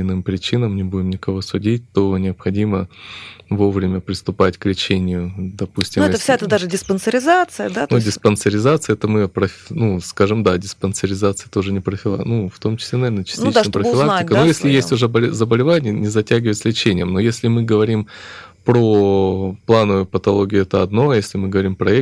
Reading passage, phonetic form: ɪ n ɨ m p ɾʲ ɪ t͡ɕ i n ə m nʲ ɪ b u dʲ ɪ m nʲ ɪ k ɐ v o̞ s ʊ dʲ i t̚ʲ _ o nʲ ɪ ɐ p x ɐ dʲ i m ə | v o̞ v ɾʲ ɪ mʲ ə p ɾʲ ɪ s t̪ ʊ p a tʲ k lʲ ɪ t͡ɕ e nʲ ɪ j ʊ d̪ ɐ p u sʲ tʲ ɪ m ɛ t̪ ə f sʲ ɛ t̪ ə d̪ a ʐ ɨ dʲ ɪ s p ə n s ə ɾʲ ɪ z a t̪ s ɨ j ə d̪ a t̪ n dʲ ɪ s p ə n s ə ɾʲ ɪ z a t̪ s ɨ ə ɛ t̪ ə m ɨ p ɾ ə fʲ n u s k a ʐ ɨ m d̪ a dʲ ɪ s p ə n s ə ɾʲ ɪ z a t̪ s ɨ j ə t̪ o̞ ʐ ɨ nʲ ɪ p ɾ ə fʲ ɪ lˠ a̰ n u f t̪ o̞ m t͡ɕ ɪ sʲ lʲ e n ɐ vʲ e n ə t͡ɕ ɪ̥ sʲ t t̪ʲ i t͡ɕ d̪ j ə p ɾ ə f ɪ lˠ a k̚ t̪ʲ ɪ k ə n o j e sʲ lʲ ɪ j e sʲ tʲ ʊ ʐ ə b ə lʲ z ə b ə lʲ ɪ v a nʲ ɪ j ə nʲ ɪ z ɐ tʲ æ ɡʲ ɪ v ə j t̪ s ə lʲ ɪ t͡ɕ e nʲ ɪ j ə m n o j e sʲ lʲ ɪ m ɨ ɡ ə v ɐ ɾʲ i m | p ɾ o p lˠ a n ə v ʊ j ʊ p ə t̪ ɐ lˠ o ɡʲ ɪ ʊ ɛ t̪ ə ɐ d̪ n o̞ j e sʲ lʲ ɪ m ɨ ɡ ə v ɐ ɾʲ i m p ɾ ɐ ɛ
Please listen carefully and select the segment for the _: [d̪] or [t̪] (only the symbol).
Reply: t̪